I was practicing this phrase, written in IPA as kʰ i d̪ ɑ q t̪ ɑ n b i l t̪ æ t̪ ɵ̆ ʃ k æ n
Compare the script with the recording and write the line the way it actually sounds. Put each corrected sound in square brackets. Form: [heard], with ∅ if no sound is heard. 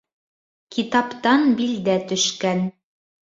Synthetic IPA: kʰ i [t̪] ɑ [p] t̪ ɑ n b i l [d̪] æ t̪ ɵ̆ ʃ k æ n